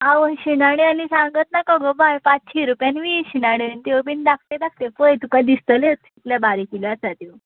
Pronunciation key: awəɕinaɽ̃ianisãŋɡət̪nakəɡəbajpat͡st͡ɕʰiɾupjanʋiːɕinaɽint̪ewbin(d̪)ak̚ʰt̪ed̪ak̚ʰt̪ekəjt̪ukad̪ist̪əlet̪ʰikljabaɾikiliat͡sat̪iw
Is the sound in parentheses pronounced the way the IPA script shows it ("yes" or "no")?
yes